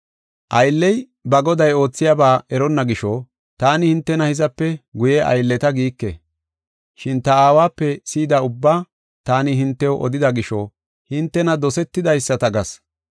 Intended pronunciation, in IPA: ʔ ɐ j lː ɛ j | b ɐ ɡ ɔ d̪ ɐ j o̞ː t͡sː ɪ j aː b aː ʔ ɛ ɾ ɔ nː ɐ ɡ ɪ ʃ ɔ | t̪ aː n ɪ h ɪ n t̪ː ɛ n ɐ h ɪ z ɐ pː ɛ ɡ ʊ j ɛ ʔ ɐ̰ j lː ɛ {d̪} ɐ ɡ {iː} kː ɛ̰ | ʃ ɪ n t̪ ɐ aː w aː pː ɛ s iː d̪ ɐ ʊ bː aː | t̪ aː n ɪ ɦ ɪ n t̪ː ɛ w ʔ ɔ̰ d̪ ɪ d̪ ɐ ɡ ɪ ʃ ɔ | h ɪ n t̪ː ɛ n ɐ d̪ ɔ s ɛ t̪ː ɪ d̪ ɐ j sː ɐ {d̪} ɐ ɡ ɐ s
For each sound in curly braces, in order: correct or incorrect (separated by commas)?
incorrect, correct, incorrect